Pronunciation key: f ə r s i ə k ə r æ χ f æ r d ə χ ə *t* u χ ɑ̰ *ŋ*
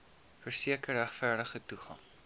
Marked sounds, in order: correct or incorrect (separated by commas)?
correct, correct